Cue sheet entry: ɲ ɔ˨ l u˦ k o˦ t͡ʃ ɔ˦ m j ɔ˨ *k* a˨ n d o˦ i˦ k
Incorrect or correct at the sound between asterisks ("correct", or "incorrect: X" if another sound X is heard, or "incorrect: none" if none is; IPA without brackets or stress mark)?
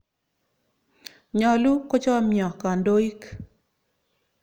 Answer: correct